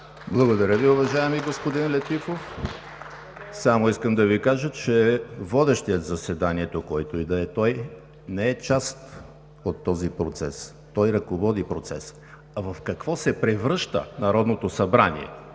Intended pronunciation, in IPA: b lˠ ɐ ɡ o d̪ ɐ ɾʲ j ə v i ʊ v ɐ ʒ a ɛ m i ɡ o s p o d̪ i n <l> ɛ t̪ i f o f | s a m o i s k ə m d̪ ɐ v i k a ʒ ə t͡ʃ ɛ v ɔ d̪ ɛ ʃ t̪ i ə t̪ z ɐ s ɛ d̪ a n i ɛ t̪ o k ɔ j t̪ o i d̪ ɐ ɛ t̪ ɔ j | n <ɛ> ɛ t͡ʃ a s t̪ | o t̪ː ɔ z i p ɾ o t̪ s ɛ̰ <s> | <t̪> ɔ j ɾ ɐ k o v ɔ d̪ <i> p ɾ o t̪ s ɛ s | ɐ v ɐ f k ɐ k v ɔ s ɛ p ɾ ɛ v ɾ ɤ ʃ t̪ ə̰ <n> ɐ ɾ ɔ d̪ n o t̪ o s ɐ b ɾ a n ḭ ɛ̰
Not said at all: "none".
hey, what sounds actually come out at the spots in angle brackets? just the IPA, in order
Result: l, ɛ, s, t̪, i, n

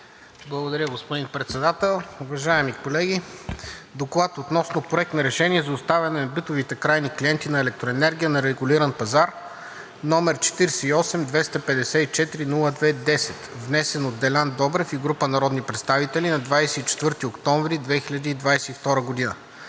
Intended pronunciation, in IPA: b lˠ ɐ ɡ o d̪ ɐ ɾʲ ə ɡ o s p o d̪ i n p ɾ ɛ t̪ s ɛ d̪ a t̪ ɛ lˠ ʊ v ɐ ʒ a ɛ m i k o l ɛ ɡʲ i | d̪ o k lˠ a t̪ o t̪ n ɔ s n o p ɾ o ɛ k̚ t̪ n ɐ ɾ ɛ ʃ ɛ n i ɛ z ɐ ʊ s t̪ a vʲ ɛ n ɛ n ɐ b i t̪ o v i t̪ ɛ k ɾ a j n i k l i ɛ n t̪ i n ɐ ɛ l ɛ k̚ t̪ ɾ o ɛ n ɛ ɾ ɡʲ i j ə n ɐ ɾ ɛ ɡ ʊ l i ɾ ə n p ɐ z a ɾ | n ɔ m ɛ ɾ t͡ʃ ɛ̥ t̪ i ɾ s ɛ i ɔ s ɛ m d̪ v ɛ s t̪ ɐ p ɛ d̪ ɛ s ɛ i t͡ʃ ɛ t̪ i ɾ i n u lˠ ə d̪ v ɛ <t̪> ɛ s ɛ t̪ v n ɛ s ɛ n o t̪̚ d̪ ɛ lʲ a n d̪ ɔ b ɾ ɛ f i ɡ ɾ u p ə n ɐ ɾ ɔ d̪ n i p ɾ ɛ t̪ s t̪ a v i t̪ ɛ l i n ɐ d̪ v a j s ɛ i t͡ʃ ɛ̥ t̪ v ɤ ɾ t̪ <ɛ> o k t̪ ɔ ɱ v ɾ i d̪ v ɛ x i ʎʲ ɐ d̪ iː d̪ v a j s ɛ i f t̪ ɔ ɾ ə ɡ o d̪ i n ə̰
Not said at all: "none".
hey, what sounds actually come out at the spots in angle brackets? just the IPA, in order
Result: d̪, i

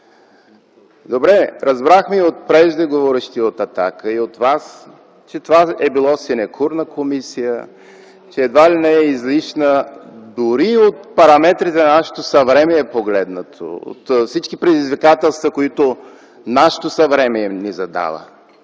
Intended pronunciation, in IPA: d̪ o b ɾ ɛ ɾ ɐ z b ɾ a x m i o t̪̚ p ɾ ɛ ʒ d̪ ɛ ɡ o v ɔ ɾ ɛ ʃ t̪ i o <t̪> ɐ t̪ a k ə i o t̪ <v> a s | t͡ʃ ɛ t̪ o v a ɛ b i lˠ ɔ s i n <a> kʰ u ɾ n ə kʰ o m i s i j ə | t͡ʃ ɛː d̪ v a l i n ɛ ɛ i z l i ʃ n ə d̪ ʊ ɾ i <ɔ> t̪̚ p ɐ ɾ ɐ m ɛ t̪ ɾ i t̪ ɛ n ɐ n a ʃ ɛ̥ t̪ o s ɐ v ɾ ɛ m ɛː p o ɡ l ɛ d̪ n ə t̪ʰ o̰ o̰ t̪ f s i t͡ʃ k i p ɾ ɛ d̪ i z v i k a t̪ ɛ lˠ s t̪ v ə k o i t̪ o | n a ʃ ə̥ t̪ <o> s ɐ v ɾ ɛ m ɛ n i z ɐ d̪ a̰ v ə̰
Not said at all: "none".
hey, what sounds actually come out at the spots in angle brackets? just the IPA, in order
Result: t̪, v, ɛ, o, o

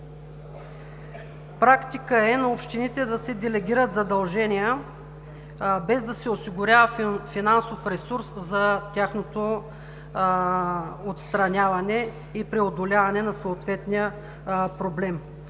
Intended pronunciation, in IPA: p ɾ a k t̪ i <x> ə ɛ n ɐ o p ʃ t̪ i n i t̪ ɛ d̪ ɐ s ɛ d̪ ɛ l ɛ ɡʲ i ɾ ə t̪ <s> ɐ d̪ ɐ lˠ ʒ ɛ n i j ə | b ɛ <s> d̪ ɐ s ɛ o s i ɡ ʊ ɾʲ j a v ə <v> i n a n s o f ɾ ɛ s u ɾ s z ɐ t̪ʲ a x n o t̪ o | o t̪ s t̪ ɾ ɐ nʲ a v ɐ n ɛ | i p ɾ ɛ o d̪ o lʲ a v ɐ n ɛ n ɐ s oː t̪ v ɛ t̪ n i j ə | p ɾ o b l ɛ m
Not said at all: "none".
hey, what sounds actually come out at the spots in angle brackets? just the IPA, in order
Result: k, z, z, f

